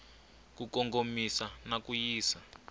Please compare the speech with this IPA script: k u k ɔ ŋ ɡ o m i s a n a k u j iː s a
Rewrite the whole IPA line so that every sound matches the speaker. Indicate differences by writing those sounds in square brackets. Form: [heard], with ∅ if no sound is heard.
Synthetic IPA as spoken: k u k ɔ ŋ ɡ o m i s a n a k u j iː s a